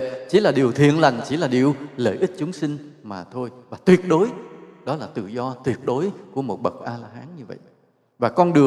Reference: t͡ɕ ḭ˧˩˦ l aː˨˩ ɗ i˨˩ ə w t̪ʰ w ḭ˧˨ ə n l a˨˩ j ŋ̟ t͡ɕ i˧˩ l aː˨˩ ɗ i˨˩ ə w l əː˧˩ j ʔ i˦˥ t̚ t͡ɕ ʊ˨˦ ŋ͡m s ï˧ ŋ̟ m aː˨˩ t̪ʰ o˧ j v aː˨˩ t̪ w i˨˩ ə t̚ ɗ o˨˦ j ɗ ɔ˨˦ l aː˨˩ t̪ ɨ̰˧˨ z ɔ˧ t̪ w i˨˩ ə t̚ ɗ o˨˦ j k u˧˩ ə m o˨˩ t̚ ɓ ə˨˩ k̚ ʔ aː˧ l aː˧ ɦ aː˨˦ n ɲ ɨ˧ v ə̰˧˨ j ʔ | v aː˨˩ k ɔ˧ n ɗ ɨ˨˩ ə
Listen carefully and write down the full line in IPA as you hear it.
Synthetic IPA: t͡ɕ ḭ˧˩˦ l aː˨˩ ɗ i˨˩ ə w t̪ʰ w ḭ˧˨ ə n l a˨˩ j ŋ̟ t͡ɕ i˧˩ l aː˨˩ ɗ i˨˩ ə w l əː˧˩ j ʔ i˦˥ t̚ t͡ɕ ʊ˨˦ ŋ͡m s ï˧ ŋ̟ m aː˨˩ t̪ʰ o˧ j v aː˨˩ t̪ w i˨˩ ə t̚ ɗ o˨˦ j ɗ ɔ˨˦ l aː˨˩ t̪ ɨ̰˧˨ z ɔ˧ t̪ w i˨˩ ə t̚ ɗ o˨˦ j k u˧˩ ə m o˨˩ t̚ ɓ ə˨˩ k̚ ʔ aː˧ l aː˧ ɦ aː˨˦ n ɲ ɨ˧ v ə̰˧˨ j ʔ | v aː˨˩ k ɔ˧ n ɗ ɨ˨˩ ə